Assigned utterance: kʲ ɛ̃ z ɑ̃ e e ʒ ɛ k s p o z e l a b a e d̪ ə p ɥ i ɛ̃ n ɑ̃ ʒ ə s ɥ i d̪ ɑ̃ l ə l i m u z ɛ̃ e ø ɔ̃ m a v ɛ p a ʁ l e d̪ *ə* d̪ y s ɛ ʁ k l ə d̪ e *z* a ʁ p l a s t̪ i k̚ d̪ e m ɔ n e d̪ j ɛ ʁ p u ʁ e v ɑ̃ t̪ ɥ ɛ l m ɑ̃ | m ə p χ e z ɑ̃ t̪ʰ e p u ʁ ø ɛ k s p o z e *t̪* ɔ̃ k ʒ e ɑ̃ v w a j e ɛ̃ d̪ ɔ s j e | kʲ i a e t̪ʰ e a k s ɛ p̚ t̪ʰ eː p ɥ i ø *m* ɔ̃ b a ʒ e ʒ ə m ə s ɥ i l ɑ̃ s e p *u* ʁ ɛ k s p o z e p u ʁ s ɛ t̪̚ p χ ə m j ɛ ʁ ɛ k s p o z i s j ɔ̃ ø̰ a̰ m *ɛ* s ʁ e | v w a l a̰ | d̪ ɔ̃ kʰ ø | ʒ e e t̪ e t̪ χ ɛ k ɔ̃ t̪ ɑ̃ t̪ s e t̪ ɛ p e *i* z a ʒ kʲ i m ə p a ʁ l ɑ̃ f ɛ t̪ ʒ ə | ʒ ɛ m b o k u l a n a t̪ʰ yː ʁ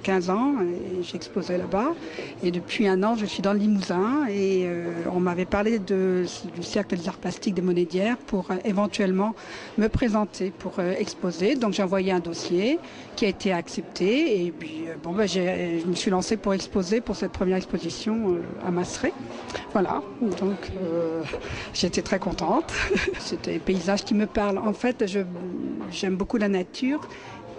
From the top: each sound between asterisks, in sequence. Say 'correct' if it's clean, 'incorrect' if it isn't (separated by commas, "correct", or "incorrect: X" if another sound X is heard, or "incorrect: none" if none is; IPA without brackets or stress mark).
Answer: correct, correct, incorrect: d̪, incorrect: b, correct, incorrect: a, correct